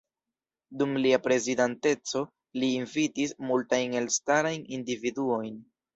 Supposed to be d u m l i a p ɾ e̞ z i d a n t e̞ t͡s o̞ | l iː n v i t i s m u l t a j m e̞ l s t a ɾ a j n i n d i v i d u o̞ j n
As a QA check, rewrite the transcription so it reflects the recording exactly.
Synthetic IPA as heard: d u m l i a p ɾ e̞ z i d a n t e̞ t͡s o̞ | l iː n v i t i s m u l t a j n e̞ l s t a ɾ a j n i n d i v i d u o̞ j n